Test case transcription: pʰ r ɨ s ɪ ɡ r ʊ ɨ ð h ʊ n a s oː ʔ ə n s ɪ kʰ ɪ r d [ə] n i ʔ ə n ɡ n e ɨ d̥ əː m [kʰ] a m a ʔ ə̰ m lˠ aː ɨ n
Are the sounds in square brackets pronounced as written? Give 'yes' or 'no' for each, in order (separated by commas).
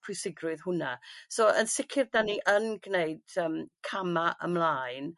no, yes